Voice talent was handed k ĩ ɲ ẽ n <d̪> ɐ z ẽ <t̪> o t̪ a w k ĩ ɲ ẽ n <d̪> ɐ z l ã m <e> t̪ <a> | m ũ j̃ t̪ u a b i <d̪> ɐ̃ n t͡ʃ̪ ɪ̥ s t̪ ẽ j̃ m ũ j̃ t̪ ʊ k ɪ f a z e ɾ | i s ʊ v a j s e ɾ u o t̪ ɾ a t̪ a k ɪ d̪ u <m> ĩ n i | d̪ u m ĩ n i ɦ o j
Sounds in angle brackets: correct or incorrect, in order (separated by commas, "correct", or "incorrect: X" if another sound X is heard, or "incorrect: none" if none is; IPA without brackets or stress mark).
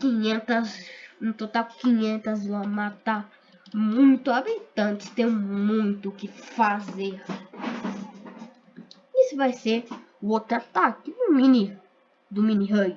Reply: incorrect: t̪, correct, incorrect: t̪, incorrect: a, correct, incorrect: t̪, correct